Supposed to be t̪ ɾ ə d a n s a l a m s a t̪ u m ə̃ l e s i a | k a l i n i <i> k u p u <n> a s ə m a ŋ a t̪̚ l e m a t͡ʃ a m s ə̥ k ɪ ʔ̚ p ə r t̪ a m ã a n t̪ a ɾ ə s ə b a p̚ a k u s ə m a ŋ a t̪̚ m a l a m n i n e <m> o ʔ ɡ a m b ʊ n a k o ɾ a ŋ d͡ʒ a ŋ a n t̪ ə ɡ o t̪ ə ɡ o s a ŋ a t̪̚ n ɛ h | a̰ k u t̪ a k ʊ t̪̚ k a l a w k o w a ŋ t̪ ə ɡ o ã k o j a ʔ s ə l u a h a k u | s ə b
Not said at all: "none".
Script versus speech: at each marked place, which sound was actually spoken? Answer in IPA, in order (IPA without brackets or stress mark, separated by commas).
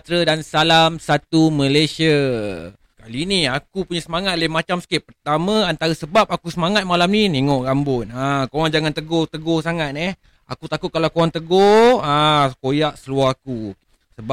a, ɲ, ŋ